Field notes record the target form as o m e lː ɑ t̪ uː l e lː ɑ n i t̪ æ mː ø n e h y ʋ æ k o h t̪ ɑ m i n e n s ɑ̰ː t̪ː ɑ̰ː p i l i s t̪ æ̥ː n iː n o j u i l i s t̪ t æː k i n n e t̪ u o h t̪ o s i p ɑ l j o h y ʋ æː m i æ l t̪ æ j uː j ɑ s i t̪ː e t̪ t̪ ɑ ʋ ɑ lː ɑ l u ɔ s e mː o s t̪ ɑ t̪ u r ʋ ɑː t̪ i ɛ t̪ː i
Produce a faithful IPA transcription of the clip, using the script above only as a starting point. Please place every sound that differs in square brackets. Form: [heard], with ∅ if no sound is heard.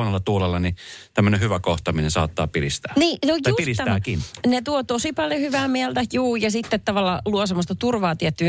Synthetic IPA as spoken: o [n] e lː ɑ t̪ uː l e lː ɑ n i t̪ æ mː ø n e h y ʋ æ k o h t̪ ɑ m i n e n s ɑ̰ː t̪ː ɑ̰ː p i l i s t̪ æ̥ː n iː n o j u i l i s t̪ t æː k i n n e t̪ u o [∅] t̪ o s i p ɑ l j o h y ʋ æː m i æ l t̪ æ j uː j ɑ s i t̪ː e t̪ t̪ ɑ ʋ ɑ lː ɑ l u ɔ s e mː o s t̪ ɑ t̪ u r ʋ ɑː t̪ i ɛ t̪ː [y]